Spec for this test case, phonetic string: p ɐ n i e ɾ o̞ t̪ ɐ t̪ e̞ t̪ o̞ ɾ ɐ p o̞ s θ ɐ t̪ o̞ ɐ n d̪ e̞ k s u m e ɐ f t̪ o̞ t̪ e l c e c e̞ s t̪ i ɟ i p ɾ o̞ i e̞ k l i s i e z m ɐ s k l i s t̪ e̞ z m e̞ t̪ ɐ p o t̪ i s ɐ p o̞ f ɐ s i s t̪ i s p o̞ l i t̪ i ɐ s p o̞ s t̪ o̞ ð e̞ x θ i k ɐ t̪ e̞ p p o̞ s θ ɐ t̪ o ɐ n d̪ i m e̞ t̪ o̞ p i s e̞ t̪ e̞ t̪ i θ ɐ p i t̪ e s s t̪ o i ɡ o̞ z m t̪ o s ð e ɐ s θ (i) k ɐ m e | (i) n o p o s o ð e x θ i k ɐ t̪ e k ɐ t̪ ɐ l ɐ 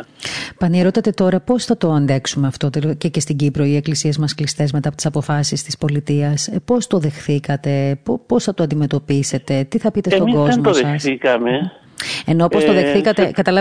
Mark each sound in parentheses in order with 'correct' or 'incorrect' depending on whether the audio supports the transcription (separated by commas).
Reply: correct, incorrect